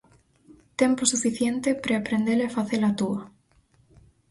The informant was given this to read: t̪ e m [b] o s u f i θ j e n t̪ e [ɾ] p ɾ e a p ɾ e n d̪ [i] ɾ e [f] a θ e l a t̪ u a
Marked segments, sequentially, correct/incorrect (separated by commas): incorrect, incorrect, incorrect, correct